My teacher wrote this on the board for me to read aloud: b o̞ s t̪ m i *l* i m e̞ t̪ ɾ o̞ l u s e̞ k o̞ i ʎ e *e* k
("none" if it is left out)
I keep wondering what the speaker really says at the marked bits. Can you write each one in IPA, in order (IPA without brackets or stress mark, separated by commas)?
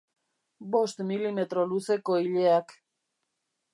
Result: l, a